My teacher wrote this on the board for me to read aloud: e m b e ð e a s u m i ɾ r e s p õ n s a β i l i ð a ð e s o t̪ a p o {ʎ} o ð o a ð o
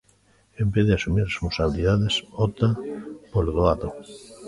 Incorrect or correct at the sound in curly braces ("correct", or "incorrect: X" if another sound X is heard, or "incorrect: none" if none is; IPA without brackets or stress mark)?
incorrect: l